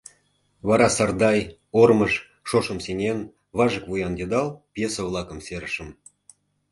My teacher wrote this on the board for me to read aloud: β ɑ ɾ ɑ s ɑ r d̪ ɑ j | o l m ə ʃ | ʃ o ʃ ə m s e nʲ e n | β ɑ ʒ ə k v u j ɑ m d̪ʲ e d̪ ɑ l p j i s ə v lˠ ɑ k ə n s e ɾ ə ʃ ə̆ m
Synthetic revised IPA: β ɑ ɾ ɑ s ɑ r d̪ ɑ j | o r m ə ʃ | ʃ o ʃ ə m s e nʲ e n | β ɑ ʒ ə k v u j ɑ n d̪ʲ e d̪ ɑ l p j e s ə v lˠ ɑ k ə m s e ɾ ə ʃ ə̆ m